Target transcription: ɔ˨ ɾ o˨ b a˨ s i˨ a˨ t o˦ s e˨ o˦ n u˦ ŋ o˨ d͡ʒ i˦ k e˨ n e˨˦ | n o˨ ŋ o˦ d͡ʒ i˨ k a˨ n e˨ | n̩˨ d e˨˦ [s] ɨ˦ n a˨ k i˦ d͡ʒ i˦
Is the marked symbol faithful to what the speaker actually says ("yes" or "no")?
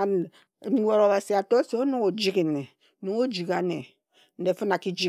no